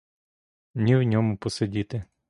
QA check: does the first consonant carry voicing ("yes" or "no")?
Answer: yes